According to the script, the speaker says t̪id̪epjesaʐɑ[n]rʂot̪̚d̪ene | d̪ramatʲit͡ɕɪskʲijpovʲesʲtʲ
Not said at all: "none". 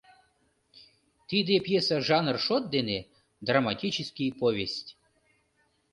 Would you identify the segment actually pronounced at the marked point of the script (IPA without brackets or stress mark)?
n